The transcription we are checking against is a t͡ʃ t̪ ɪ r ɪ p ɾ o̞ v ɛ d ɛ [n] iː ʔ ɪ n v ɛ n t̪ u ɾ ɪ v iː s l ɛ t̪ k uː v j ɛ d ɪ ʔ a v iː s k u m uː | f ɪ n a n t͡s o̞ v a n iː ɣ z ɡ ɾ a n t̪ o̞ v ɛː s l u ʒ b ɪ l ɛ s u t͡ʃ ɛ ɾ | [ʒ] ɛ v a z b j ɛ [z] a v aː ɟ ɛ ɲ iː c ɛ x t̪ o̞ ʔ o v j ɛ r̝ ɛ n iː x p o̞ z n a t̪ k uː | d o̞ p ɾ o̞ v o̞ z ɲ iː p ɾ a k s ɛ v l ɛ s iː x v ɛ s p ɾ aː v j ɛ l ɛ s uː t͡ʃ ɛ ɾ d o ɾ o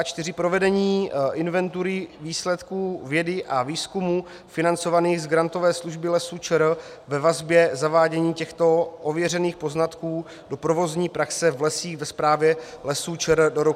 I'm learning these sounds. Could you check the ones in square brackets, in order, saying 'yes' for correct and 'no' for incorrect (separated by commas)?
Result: no, no, yes